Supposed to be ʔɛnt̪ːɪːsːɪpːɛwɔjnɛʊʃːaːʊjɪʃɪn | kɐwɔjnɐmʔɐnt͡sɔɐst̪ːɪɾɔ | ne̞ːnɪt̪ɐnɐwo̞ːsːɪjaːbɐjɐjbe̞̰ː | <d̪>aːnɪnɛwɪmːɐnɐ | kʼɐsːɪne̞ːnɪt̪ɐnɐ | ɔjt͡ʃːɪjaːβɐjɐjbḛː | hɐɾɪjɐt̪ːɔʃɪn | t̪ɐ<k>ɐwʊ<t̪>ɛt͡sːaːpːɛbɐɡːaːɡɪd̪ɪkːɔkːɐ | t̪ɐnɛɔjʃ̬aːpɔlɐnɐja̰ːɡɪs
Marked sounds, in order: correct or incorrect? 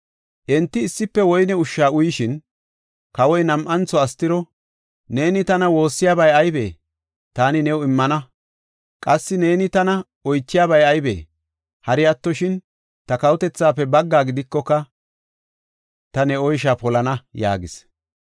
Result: incorrect: t̪, correct, correct

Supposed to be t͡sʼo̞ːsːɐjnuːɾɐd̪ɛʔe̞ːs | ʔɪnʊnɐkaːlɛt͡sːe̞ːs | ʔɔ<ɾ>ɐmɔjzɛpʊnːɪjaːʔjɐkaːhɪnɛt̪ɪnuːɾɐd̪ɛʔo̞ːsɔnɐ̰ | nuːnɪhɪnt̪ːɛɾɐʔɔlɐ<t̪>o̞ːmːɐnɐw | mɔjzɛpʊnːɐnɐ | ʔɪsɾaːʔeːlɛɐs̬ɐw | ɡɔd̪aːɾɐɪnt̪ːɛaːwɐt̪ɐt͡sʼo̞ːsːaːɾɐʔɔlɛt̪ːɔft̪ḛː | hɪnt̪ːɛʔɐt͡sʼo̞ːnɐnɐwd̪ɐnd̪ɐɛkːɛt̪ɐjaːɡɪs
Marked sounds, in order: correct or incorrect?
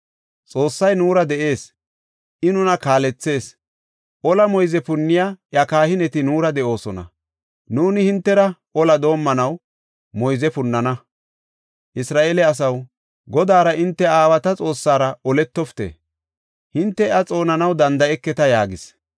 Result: incorrect: l, incorrect: d̪

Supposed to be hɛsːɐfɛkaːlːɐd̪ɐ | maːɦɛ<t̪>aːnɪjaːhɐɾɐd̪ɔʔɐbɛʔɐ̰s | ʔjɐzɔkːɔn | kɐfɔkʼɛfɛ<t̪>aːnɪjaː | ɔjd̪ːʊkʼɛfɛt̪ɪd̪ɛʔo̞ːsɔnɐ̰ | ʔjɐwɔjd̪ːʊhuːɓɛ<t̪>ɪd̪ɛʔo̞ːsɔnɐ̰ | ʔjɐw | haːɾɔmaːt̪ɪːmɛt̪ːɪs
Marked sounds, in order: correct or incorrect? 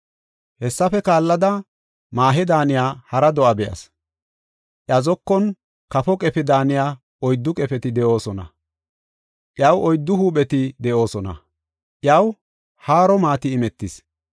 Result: incorrect: d̪, incorrect: d̪, correct

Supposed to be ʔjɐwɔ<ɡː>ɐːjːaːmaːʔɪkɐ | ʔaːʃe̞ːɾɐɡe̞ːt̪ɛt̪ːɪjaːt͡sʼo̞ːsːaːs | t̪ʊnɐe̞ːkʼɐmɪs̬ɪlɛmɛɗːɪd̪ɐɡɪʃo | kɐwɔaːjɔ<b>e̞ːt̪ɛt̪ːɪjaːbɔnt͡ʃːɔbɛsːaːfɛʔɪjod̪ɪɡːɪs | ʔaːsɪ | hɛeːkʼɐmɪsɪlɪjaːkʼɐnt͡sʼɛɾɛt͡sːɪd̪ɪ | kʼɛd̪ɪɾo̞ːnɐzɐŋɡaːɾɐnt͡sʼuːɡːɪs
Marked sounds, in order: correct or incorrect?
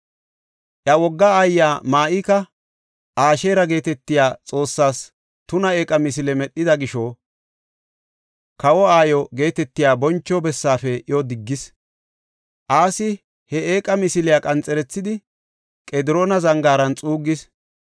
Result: correct, incorrect: ɡ

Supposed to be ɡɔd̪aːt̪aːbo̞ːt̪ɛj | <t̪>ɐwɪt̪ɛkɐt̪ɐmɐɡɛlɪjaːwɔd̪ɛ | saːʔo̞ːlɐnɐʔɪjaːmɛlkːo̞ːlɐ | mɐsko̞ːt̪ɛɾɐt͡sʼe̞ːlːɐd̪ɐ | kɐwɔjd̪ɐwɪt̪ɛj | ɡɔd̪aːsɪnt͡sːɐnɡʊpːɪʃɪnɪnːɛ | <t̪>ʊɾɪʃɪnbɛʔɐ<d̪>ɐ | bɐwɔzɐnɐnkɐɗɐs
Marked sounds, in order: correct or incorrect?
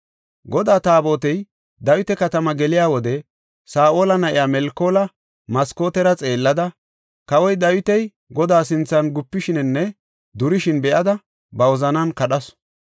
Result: incorrect: d̪, incorrect: d̪, correct

